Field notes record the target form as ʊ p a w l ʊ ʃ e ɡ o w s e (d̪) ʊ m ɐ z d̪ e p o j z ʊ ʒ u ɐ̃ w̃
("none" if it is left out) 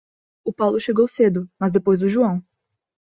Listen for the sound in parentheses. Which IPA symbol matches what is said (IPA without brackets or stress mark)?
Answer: d̪